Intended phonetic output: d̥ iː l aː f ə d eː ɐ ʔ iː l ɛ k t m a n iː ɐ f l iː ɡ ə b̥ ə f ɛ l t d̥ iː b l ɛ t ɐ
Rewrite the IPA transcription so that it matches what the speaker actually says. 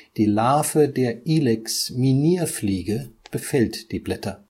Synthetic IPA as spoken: d̥ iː l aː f ə d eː ɐ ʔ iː l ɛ k s m i n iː ɐ f l iː ɡ ə b̥ ə f ɛ l t d̥ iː b l ɛ t ɐ